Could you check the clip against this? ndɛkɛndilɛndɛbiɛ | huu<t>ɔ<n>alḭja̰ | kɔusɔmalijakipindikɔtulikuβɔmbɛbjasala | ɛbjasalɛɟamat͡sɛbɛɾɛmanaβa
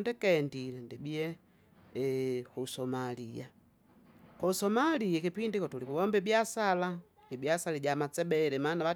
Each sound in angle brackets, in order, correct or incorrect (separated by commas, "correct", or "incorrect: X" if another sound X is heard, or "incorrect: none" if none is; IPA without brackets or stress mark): incorrect: s, incorrect: m